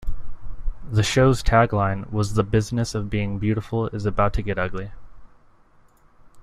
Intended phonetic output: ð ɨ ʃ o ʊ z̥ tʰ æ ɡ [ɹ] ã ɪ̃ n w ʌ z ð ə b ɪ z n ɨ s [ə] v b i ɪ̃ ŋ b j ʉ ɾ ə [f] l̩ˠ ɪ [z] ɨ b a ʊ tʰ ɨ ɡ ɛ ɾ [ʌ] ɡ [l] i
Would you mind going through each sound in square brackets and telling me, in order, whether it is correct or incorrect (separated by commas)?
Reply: incorrect, incorrect, correct, correct, correct, correct